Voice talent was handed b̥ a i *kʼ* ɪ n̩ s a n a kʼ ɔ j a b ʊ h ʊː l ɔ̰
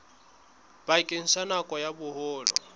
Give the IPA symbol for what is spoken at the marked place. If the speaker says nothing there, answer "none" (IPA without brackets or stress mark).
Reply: kʼ